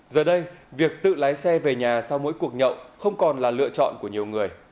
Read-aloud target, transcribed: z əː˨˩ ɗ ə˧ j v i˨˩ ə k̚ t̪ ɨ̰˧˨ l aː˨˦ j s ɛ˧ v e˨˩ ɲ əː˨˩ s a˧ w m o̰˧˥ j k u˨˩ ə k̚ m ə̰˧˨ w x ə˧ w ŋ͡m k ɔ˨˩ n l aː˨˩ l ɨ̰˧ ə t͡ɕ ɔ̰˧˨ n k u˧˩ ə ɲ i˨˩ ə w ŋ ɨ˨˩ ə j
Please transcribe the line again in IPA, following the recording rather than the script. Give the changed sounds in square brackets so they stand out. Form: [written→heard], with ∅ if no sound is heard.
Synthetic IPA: z əː˨˩ ɗ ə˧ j v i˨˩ ə k̚ t̪ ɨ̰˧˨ l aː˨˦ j s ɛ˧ v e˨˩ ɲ [əː˨˩→aː˨˩] s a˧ w m o̰˧˥ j k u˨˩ ə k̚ [m→ɲ] ə̰˧˨ w x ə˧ w ŋ͡m k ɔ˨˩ n l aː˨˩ l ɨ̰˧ ə t͡ɕ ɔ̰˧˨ n k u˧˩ ə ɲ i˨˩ ə w ŋ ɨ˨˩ ə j

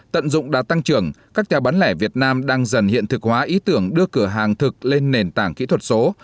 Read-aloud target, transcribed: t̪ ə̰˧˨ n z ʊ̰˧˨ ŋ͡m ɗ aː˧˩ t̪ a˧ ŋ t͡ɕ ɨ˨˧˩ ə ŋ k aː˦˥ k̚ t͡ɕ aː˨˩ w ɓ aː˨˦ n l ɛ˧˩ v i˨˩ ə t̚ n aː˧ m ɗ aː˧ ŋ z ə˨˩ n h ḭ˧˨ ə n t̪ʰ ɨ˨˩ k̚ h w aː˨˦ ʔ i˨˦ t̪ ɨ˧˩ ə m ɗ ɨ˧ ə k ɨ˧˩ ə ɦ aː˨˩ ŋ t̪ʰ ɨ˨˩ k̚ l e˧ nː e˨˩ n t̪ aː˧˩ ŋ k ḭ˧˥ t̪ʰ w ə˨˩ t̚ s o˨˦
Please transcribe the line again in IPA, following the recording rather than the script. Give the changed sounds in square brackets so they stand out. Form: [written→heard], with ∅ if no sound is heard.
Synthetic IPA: t̪ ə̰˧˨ n z ʊ̰˧˨ ŋ͡m ɗ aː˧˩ t̪ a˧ ŋ t͡ɕ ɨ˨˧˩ ə ŋ k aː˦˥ k̚ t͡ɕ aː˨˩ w ɓ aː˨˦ n l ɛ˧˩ v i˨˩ ə t̚ n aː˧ m ɗ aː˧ ŋ z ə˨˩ n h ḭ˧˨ ə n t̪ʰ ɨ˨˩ k̚ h w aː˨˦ ʔ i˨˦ t̪ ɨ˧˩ ə [m→ŋ] ɗ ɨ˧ ə k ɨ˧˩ ə ɦ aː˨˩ ŋ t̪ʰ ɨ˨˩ k̚ l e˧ nː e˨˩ n t̪ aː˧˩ ŋ k ḭ˧˥ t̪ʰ w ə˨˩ t̚ s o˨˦

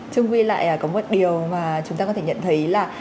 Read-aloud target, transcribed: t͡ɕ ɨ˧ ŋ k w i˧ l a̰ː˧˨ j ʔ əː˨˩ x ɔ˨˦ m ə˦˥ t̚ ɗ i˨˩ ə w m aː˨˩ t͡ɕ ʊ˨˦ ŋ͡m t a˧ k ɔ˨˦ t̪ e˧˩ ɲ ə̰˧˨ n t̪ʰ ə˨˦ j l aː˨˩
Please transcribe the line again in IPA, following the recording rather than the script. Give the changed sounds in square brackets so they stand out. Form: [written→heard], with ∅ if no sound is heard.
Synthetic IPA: t͡ɕ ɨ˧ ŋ k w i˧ l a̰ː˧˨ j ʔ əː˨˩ [x→k] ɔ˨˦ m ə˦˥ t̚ ɗ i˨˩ ə w m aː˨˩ t͡ɕ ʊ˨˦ ŋ͡m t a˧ k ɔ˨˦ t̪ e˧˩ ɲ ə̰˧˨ n t̪ʰ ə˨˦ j l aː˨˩

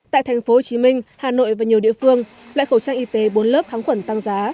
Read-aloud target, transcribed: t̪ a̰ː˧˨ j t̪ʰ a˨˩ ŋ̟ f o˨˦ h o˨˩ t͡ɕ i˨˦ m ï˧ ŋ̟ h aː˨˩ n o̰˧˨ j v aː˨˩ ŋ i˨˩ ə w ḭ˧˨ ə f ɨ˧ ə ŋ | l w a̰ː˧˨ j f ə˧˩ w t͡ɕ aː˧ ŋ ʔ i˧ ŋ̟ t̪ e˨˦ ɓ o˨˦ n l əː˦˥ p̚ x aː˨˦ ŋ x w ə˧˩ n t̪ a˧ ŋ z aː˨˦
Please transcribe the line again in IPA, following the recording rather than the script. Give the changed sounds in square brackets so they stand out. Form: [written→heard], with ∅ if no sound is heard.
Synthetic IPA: t̪ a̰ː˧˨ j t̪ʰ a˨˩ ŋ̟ f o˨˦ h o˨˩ t͡ɕ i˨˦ m ï˧ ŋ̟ h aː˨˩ n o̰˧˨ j v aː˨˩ [ŋ→ɲ] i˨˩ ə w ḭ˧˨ ə f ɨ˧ ə ŋ | l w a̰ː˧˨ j [f→x] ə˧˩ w t͡ɕ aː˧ ŋ ʔ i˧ [ŋ̟→∅] t̪ e˨˦ ɓ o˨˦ n l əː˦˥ p̚ x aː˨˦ ŋ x w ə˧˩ n t̪ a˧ ŋ z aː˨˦

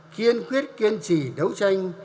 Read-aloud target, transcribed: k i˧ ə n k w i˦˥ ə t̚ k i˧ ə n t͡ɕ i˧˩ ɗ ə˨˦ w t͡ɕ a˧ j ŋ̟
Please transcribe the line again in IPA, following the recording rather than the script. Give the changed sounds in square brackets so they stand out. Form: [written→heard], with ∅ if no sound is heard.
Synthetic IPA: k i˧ ə n k w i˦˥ ə t̚ k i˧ ə n t͡ɕ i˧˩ ɗ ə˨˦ w t͡ɕ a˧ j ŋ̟

